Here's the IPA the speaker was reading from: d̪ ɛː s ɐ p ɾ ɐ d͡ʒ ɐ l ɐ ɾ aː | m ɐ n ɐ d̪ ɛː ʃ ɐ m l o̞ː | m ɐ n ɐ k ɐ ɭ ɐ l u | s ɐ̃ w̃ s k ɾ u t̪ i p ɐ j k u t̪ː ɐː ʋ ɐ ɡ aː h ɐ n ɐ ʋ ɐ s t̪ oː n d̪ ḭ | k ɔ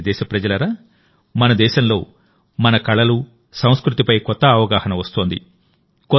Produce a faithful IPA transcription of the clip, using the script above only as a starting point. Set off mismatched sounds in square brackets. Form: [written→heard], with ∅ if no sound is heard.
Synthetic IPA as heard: d̪ ɛː [s→ʃ] ɐ p ɾ ɐ d͡ʒ ɐ l ɐ ɾ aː | m ɐ n ɐ d̪ ɛː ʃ ɐ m l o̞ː | m ɐ n ɐ k ɐ ɭ ɐ l u | s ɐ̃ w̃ s k ɾ u t̪ i p ɐ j k [u→ɔ] t̪ː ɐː ʋ ɐ ɡ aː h ɐ n ɐ ʋ ɐ s t̪ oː n d̪ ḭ | k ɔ